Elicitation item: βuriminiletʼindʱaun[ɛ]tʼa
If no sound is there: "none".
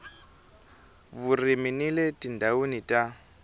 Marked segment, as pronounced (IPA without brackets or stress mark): i